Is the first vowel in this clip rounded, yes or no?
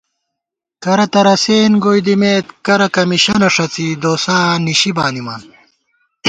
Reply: no